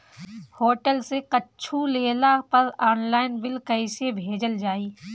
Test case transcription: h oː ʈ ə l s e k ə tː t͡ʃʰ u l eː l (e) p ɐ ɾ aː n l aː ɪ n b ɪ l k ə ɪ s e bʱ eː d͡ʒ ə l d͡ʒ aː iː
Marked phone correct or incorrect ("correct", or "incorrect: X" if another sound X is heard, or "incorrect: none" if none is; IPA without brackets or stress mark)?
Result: incorrect: a